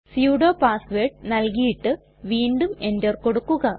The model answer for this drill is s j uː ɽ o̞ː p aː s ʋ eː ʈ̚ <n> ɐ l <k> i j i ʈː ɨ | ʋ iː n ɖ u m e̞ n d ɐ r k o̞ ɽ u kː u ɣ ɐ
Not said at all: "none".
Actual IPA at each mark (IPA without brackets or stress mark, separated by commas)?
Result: n, k